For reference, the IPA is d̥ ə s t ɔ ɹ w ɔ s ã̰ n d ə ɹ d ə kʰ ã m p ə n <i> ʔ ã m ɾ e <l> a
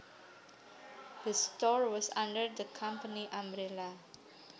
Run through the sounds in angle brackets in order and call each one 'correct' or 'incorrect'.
correct, correct

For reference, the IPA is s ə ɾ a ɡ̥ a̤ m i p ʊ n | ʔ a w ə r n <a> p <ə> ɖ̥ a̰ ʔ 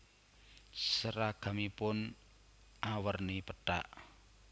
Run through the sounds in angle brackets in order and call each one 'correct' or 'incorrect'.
incorrect, correct

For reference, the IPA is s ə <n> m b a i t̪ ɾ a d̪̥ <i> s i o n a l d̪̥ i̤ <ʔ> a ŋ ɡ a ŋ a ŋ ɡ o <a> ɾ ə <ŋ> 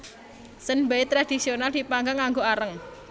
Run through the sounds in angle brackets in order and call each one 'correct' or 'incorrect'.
correct, correct, incorrect, correct, correct

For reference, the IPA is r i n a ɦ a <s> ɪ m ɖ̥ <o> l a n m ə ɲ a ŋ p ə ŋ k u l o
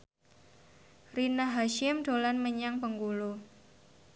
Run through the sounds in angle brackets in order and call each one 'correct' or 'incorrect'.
incorrect, correct

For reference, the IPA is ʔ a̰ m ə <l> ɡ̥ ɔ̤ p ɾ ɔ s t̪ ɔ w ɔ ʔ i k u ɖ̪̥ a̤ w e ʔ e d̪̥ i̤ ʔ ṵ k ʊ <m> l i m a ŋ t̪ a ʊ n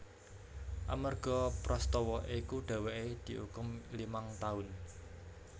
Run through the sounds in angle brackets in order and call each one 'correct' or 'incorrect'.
incorrect, correct

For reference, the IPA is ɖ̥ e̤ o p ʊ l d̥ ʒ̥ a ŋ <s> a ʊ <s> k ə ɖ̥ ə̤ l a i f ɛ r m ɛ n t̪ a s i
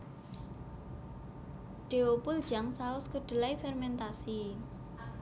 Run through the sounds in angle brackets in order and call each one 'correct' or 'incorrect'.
correct, correct

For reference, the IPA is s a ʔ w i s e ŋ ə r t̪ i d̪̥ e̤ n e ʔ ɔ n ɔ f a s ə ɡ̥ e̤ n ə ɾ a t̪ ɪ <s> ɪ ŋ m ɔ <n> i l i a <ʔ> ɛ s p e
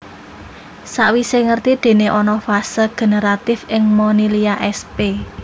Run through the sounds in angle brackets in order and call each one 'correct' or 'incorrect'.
incorrect, correct, correct

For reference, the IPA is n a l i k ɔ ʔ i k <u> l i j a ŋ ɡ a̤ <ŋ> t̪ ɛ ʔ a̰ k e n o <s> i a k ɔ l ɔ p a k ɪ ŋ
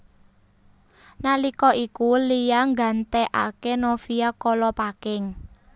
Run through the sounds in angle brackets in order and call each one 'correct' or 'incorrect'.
correct, incorrect, incorrect

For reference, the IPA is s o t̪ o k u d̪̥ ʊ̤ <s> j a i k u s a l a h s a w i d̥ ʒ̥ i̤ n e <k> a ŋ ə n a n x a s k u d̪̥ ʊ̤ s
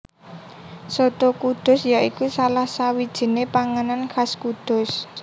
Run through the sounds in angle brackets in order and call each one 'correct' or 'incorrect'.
correct, incorrect

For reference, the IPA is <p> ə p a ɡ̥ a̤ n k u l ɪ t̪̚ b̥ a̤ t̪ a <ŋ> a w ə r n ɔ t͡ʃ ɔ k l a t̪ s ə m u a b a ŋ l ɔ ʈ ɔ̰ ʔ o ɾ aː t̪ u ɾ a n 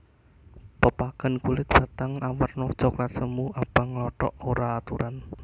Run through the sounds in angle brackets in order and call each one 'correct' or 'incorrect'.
correct, correct

